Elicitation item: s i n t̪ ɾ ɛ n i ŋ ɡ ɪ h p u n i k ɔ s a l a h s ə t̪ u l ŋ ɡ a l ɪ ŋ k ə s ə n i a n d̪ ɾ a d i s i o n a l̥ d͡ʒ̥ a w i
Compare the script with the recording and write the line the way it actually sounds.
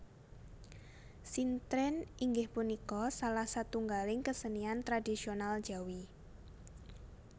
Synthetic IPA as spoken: s i n t̪ ɾ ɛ n i ŋ ɡ ɪ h p u n i k ɔ s a l a h s a t̪ u ŋ ɡ a l ɪ ŋ k ə s ə n i a n t̪ ɾ a d i s i o n a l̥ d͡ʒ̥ a w i